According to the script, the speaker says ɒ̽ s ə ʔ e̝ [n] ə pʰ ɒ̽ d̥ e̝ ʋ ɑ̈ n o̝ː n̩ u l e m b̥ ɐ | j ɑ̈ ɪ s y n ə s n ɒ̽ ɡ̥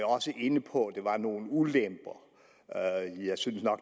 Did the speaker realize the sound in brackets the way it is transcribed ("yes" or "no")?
yes